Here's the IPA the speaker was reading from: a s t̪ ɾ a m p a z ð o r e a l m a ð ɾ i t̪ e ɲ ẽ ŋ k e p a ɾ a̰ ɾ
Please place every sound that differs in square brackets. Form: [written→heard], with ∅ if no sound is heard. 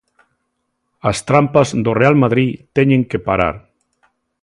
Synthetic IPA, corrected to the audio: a s t̪ ɾ a m p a z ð o r e a l m a ð ɾ i t̪ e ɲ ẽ ŋ k e p a ɾ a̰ ɾ